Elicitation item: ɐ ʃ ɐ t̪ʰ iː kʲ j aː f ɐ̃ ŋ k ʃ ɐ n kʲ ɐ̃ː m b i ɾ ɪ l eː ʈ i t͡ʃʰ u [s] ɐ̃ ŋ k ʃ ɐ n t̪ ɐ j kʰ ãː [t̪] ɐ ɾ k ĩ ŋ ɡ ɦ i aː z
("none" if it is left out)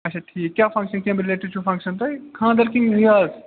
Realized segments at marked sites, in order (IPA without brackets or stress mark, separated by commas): f, d̪